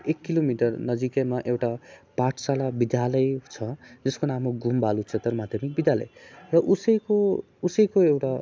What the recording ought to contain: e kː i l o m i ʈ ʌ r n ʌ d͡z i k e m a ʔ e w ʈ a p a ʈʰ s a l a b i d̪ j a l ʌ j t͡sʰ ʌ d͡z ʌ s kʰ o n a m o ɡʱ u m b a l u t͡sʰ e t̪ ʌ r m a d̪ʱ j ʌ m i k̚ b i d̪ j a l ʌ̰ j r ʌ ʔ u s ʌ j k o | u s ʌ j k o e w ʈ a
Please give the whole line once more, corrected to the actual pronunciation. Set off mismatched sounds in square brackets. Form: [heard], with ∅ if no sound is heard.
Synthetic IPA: e kː i l o m i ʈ ʌ r n ʌ d͡z i k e m a ʔ e w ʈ a p a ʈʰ s a l a b i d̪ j a l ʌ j t͡sʰ ʌ d͡z ʌ s [k] o n a m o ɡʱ u m b a l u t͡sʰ e t̪ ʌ r m a d̪ʱ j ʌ m i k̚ b i d̪ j a l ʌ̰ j r ʌ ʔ u s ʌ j k o | u s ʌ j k o e w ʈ a